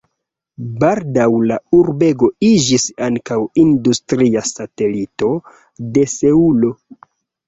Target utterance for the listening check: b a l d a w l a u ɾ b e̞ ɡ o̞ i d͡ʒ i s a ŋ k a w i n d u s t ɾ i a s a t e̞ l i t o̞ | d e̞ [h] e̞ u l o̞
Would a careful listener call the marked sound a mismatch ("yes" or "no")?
yes